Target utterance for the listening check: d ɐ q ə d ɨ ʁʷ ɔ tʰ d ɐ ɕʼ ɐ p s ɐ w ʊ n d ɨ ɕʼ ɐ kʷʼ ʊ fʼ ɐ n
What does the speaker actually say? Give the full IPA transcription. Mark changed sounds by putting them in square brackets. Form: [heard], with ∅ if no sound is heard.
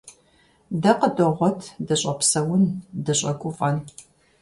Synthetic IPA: d ɐ q ə d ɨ ʁʷ ɔ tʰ d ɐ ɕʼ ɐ p s ɐ w ʊ n d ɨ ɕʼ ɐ kʷʼ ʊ fʼ ɐ n